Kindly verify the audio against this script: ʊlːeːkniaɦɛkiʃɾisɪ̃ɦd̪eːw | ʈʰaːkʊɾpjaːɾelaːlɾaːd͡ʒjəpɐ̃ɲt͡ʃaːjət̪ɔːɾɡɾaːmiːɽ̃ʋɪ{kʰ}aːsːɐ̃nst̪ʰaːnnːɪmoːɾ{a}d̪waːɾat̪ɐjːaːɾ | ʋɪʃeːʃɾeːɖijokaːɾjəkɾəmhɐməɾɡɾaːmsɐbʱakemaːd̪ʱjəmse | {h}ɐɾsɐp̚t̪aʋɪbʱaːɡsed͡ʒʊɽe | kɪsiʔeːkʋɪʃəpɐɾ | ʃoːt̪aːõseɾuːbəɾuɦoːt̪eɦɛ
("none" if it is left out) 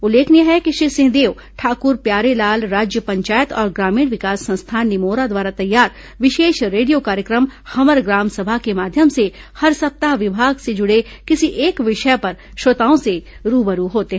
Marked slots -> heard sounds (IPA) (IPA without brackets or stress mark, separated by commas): k, a, h